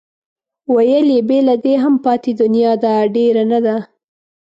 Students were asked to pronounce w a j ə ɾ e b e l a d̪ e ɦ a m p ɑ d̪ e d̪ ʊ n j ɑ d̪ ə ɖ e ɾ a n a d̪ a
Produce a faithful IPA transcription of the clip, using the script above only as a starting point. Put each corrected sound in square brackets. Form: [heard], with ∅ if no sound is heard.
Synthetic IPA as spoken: w a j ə [l] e b e l a d̪ e ɦ a m p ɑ [t̪] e d̪ ʊ n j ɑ d̪ [a] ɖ e ɾ a n a d̪ a